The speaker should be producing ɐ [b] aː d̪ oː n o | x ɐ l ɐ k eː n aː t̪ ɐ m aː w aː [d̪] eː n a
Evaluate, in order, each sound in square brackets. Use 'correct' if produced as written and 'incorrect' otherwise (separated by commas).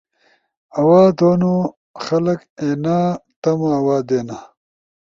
incorrect, correct